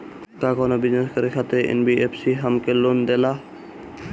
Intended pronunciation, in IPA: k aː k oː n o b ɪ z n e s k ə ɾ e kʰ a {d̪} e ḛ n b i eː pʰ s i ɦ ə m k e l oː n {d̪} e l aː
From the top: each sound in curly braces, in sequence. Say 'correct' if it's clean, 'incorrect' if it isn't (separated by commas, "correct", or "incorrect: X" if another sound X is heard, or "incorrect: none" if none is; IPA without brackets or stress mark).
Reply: incorrect: t̪, correct